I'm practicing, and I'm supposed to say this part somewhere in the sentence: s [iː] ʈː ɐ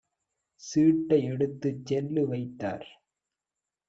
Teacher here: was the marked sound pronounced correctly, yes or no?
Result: yes